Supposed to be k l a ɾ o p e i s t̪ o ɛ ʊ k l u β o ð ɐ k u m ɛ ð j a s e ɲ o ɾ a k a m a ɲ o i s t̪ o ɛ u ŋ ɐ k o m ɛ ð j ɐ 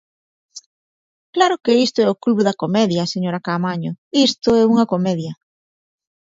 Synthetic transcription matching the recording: k l a ɾ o k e i s t̪ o ɛ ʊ k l u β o ð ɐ k o m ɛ ð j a s e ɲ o ɾ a k a m a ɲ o i s t̪ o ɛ u ŋ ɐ k o m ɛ ð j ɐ